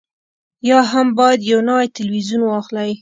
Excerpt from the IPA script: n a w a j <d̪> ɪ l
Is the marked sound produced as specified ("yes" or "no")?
no